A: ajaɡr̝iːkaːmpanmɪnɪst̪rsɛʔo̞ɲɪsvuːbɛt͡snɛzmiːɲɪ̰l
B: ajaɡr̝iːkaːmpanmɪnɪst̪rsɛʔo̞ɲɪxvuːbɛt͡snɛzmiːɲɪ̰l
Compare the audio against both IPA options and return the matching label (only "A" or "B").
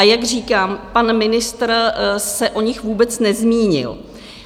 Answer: B